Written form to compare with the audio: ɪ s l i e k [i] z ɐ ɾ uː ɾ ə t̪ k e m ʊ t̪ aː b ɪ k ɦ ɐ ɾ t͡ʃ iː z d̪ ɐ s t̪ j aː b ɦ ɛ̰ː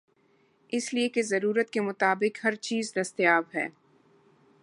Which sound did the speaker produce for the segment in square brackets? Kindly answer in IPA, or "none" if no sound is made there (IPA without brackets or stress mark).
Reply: e